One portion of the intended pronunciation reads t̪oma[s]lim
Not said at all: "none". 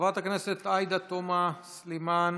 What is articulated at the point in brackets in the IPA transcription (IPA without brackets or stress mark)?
s